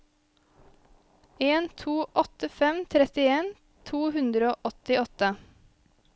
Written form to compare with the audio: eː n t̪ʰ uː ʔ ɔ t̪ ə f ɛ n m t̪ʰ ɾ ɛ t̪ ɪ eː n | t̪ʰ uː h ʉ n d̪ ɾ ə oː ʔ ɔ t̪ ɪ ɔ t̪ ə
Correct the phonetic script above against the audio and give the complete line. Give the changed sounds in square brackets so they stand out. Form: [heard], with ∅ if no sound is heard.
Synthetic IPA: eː n t̪ʰ uː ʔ ɔ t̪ ə f ɛ [∅] m t̪ʰ ɾ ɛ t̪ ɪ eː n | t̪ʰ uː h ʉ n d̪ ɾ ə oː ʔ ɔ t̪ ɪ ɔ t̪ ə